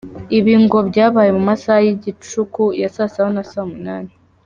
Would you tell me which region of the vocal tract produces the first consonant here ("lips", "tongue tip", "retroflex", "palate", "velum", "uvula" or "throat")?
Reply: lips